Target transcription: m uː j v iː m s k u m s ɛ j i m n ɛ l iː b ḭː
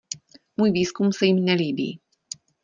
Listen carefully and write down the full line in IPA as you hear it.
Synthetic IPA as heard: m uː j v iː s k u m s ɛ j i m n ɛ l iː b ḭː

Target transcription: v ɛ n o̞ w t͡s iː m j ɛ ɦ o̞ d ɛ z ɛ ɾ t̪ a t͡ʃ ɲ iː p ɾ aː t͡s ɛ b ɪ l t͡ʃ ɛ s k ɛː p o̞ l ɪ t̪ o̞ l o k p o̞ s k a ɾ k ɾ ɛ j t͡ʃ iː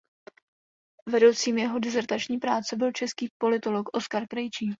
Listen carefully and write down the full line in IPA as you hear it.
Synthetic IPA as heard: v ɛ d o̞ w t͡s iː m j ɛ ɦ o̞ d ɛ z ɛ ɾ t̪ a t͡ʃ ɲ iː p ɾ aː t͡s ɛ b ɪ l t͡ʃ ɛ s k iː p o̞ l ɪ t̪ o̞ l o k ʔ o̞ s k a ɾ k ɾ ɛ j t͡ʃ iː

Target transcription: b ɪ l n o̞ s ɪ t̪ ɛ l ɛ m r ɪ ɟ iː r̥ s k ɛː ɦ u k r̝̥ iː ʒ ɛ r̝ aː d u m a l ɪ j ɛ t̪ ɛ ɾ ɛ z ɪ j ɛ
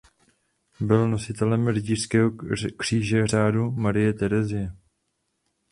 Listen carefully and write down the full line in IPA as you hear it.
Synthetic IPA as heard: b ɪ l n o̞ s ɪ t̪ ɛ l ɛ m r ɪ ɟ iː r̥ s k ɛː ɦ o k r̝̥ iː ʒ ɛ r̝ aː d u m a ɾ ɪ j ɛ t̪ ɛ ɾ ɛ z ɪ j ɛ

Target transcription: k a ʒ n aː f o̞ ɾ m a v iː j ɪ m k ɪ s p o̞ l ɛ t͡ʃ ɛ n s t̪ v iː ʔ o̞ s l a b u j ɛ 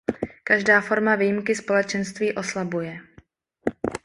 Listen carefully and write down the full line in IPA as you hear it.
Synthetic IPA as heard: k a ʒ d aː f o̞ ɾ m a v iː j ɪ m k ɪ s p o̞ l ɛ t͡ʃ ɛ n s t̪ v iː ʔ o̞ s l a b u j ɛ

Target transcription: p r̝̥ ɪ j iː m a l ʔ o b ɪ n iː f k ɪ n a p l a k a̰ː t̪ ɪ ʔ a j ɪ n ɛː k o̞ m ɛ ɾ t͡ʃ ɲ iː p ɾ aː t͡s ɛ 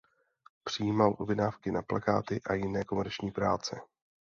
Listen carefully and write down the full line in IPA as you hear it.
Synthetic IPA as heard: p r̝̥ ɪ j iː m a l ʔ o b ɪ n aː f k ɪ n a p l a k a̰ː t̪ ɪ ʔ a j ɪ n ɛː k o̞ m ɛ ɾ t͡ʃ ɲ iː p ɾ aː t͡s ɛ

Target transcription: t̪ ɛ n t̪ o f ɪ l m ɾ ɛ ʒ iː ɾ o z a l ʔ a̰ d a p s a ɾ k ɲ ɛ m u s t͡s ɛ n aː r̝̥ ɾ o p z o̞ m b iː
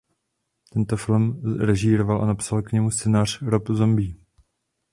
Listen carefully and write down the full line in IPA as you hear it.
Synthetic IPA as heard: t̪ ɛ n t̪ o f ɪ l m ɾ ɛ ʒ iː ɾ o v a l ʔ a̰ n a p s a l k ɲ ɛ m u s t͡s ɛ n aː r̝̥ ɾ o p z o̞ m b iː

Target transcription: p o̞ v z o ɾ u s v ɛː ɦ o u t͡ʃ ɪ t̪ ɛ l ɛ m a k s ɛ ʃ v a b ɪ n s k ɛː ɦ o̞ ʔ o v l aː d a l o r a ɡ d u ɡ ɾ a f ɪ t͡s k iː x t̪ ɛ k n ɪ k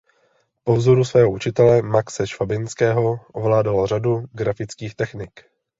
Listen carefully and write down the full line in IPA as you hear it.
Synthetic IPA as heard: p o̞ v z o ɾ u s v ɛː ɦ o u t͡ʃ ɪ t̪ ɛ l ɛ m a k s ɛ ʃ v a b ɪ n s k ɛː ɦ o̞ ʔ o v l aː d a l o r a d u ɡ ɾ a f ɪ t͡s k iː x t̪ ɛ x n ɪ k

